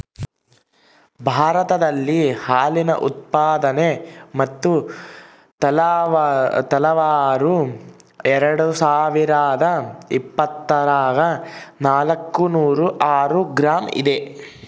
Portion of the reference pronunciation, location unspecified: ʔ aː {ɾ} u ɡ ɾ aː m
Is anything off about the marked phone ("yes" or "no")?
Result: no